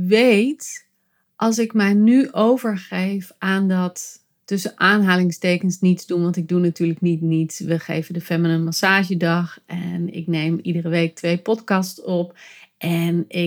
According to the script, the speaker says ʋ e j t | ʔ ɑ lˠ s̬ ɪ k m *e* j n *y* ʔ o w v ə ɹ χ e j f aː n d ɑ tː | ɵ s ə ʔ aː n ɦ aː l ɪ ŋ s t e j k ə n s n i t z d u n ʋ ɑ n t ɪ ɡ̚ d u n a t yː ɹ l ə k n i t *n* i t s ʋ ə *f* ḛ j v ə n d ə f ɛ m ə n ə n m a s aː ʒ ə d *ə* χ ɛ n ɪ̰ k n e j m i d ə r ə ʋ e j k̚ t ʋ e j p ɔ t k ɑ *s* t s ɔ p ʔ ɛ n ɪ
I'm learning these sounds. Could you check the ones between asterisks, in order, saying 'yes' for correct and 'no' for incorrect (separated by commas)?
no, yes, yes, no, no, yes